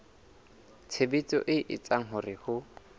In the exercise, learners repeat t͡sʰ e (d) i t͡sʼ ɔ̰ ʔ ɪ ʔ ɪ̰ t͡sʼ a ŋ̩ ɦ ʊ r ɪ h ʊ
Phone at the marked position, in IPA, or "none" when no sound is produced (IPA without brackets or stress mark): b